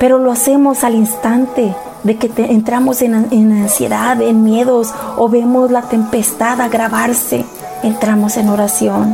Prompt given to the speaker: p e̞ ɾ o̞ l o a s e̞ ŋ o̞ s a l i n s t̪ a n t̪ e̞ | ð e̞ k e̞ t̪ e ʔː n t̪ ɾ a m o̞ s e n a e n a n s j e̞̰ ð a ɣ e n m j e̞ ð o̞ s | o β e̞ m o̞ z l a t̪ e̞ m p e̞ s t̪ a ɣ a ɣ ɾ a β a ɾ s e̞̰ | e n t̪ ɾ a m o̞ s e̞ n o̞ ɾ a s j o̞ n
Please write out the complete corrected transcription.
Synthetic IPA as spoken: p e̞ ɾ o̞ l o a s e̞ m o̞ s a l i n s t̪ a n t̪ e̞ | ð e̞ k e̞ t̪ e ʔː n t̪ ɾ a m o̞ s e n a e n a n s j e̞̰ ð a ð e n m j e̞ ð o̞ s | o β e̞ m o̞ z l a t̪ e̞ m p e̞ s t̪ a ð a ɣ ɾ a β a ɾ s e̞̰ | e n t̪ ɾ a m o̞ s e̞ n o̞ ɾ a s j o̞ n